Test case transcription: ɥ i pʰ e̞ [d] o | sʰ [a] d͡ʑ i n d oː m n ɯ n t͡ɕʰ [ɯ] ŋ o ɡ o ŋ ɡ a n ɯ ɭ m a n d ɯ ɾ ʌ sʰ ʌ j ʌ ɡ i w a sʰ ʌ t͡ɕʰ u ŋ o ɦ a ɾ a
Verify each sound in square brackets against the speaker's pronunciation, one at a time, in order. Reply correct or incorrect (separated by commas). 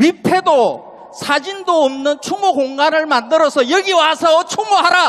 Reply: correct, correct, incorrect